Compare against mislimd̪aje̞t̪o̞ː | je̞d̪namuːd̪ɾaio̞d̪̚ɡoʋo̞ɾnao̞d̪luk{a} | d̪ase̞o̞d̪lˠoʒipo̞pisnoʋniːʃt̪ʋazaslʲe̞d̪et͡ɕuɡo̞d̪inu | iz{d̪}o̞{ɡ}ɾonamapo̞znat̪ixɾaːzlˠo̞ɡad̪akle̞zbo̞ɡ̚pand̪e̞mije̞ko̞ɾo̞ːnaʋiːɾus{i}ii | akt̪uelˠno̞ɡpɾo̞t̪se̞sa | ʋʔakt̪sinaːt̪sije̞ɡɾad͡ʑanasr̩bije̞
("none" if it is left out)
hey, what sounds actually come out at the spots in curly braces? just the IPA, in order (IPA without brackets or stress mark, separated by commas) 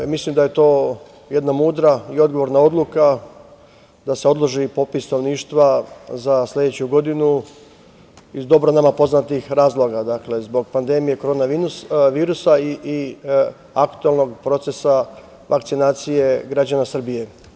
a, d̪, b, a